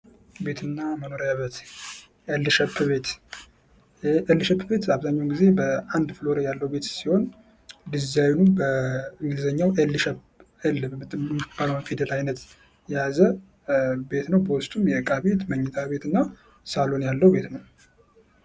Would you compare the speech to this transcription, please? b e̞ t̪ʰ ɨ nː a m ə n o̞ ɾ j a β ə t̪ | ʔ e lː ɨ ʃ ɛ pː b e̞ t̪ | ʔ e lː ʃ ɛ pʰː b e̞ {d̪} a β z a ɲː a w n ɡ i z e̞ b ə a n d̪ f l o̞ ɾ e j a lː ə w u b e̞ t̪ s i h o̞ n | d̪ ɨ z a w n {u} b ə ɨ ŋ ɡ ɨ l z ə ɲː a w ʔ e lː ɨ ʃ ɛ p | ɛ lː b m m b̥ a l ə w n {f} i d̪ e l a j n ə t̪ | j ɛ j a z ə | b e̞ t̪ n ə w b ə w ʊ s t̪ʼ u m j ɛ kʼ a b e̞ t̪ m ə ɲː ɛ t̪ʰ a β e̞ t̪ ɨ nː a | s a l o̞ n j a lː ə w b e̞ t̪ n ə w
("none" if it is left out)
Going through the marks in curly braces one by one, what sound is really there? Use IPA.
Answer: t̪, u, f

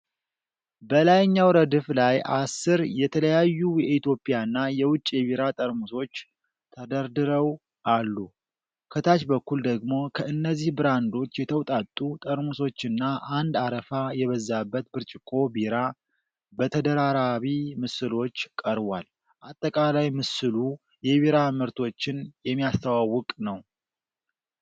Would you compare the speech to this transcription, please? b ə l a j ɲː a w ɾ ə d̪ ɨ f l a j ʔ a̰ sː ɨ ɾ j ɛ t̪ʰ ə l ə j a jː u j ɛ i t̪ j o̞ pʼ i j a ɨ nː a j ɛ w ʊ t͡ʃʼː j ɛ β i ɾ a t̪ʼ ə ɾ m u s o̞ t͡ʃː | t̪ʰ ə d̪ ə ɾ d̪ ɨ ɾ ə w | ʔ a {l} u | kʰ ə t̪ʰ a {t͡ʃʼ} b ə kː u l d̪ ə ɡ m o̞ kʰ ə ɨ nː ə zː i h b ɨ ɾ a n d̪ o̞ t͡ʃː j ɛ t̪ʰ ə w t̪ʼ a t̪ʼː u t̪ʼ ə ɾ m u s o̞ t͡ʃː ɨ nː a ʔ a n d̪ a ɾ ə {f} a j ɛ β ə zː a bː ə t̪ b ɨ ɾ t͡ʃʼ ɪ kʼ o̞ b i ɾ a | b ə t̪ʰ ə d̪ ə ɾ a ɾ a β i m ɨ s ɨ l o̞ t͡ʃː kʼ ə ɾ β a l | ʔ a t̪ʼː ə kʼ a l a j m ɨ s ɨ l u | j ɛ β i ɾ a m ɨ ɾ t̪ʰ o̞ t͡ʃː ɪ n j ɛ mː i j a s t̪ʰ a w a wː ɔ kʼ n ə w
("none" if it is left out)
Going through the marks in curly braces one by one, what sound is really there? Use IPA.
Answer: lː, t͡ʃ, f

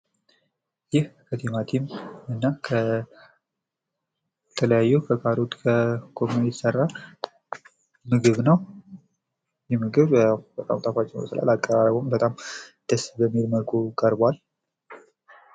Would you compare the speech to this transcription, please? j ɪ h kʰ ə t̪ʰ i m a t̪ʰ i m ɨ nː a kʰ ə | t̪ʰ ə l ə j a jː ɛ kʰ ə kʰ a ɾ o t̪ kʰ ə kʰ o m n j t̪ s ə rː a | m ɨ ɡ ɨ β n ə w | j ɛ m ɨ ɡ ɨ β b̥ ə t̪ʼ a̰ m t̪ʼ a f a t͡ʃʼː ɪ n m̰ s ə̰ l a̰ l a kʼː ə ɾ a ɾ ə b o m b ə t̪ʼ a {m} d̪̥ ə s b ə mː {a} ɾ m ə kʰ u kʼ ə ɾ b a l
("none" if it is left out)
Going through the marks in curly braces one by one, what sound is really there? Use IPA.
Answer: m, i

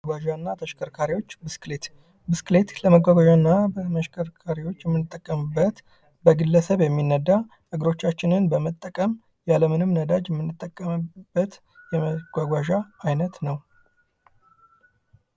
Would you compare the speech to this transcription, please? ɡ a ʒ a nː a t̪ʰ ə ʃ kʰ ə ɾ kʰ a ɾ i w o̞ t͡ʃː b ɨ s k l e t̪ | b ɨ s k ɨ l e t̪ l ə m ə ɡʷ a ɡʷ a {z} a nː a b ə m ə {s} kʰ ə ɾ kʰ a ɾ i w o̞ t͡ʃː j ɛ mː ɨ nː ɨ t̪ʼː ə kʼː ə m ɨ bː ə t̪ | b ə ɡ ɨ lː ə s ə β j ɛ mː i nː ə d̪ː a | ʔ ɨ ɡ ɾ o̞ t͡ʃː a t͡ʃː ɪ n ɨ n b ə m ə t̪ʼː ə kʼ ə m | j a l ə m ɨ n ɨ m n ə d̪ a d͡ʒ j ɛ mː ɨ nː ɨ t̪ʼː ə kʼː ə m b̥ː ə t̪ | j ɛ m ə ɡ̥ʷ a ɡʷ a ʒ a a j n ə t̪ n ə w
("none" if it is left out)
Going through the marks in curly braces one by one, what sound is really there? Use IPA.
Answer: ʒ, ʃ

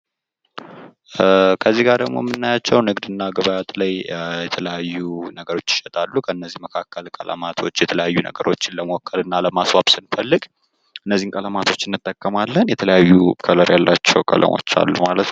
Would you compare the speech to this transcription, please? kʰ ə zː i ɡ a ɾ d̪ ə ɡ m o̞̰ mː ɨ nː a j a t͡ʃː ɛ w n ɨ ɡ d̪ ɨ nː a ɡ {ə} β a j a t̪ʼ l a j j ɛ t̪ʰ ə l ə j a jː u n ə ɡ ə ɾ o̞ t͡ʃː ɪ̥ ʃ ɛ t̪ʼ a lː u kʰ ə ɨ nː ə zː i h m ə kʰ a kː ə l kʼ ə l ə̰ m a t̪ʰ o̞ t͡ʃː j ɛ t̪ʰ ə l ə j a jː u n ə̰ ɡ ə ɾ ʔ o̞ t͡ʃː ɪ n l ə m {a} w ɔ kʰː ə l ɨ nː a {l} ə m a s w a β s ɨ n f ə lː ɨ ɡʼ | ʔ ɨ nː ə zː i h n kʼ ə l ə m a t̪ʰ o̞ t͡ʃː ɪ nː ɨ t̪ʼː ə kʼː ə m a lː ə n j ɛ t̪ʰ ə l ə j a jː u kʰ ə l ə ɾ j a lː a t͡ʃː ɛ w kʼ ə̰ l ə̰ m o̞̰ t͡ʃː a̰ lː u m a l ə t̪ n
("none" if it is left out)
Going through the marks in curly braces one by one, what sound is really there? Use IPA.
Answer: ə, ə, l

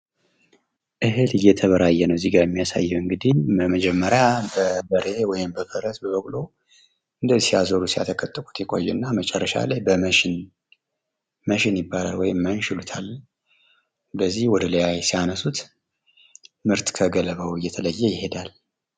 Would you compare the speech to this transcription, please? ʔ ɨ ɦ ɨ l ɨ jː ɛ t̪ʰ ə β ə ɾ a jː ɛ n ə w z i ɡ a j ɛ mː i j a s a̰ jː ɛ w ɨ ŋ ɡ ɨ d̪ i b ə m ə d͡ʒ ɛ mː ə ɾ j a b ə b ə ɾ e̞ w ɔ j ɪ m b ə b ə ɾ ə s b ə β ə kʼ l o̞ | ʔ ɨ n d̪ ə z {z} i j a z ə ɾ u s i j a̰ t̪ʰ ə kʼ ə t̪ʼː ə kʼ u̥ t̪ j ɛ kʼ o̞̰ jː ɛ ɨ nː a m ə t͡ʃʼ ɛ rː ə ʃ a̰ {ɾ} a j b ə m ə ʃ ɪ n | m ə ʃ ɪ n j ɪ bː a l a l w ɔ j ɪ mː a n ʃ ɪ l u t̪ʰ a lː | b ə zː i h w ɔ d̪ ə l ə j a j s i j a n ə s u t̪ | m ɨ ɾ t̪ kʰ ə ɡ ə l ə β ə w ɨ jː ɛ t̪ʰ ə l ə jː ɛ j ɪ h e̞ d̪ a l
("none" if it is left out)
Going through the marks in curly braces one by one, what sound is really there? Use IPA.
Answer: s, l

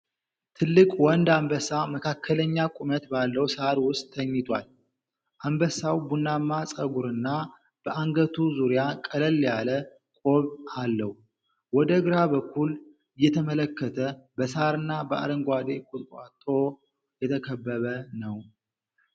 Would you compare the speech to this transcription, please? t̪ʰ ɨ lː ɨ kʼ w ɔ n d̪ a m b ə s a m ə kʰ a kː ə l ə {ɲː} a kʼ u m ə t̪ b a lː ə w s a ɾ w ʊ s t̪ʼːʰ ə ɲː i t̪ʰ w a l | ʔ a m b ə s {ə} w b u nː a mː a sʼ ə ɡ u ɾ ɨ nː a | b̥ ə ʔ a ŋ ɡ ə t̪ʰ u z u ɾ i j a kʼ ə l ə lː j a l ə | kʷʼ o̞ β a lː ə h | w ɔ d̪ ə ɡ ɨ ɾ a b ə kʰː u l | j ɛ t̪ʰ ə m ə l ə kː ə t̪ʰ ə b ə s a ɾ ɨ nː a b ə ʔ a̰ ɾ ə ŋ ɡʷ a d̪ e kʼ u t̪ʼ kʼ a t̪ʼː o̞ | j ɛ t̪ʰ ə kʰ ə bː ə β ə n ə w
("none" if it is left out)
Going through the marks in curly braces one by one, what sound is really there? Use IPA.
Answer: ɲː, a

